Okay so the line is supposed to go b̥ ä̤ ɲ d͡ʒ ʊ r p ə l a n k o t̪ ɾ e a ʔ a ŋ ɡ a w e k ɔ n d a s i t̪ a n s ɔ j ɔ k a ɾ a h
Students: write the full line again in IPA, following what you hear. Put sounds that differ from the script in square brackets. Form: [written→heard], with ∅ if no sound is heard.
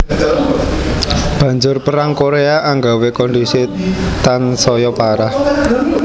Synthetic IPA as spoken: b̥ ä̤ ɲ d͡ʒ ʊ r p ə [l→ɾ] a [n→ŋ] k o [t̪→∅] ɾ e a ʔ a ŋ ɡ a w e k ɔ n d [a→i] s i t̪ a n s ɔ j ɔ [k→p] a ɾ a h